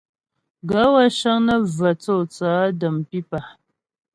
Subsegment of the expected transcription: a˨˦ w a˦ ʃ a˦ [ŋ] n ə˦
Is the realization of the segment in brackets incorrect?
no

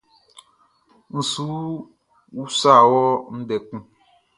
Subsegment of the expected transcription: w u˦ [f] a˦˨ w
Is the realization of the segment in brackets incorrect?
yes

